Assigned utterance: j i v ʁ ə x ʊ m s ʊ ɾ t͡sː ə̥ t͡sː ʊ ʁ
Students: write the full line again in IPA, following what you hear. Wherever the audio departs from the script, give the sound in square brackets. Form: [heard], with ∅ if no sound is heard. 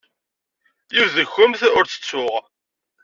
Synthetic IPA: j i v [ð] ə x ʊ m [θ] ʊ ɾ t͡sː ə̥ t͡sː ʊ ʁ